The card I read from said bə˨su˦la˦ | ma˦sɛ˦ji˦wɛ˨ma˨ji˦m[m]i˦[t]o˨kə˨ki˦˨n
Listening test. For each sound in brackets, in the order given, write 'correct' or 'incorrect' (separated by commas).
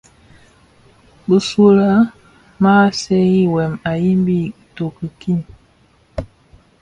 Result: incorrect, correct